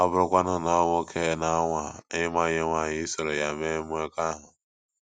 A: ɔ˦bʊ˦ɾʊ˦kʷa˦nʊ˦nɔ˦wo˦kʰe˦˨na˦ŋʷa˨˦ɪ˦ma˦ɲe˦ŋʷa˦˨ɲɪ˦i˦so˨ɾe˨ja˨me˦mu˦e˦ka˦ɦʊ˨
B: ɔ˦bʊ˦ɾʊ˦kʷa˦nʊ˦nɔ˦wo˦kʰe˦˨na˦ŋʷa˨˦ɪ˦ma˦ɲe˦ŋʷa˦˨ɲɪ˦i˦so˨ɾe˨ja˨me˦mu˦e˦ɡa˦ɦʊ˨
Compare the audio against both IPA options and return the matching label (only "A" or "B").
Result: A